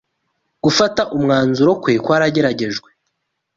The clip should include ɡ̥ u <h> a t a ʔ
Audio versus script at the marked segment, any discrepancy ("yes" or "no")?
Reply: yes